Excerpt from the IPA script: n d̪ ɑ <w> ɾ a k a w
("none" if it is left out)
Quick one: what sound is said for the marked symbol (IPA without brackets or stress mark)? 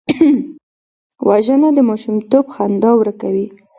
w